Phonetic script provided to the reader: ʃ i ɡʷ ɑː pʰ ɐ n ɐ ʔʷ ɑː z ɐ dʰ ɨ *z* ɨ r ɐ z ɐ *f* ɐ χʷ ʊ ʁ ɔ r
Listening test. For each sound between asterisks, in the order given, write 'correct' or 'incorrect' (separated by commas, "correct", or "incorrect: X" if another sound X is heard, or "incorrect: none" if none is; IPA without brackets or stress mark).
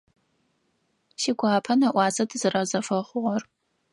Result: correct, correct